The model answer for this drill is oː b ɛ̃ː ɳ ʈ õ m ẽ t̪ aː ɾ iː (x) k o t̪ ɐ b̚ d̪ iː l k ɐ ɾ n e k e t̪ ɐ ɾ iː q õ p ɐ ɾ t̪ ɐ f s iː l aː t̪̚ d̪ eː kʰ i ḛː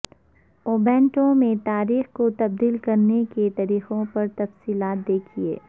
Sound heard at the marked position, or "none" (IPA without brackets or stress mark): x